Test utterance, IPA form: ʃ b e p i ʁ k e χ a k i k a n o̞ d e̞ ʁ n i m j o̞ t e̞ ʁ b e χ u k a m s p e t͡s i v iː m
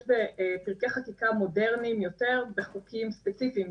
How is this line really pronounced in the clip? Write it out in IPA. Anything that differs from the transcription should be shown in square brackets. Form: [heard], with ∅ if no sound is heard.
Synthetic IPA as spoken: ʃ b e p i ʁ k e χ a k i k a [m] o̞ d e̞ ʁ n i m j o̞ t e̞ ʁ b e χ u k [i] m s p e t͡s i [f] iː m